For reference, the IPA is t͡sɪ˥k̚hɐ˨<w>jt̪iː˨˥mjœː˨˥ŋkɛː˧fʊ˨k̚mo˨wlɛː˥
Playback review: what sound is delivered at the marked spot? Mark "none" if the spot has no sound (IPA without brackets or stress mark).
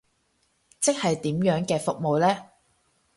none